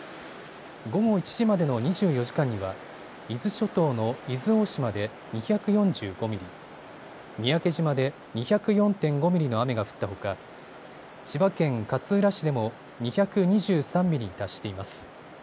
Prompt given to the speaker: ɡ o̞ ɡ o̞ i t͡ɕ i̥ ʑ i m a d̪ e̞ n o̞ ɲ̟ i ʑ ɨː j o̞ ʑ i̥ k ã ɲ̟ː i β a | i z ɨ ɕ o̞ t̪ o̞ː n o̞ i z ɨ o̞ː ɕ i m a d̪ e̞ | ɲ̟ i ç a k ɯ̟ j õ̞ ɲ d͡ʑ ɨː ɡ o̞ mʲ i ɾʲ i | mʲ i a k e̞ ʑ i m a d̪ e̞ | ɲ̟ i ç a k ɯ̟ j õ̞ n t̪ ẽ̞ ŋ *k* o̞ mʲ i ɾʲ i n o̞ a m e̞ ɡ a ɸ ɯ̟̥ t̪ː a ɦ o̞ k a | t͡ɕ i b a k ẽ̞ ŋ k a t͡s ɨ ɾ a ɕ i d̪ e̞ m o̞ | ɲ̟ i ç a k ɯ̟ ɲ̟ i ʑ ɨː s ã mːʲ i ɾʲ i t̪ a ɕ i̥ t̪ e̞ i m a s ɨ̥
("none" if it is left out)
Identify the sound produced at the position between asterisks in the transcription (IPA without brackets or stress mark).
ɡ